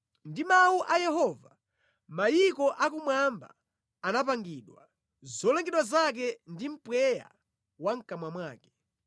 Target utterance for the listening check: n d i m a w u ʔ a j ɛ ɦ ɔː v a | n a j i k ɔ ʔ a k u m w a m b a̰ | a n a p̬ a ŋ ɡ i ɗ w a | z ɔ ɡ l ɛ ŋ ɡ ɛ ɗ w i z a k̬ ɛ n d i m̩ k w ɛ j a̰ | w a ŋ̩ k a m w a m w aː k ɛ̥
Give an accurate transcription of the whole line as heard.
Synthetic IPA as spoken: n d i m a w u ʔ a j ɛ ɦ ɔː v a | m a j i k ɔ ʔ a k u m w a m b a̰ | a n a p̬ a ŋ ɡ i ɗ w a | z ɔ l ɛ ŋ ɡ ɛ ɗ w a z a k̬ ɛ n d i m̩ p w ɛ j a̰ | w a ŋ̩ k a m w a m w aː k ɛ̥